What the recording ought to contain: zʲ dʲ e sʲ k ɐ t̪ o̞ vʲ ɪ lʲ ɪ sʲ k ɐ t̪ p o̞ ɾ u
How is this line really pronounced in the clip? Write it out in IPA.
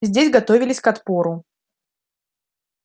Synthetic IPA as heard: zʲ dʲ e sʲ ɡ ɐ t̪ o̞ vʲ ɪ lʲ ɪ sʲ k ɐ t̪ p o̞ ɾ ʊ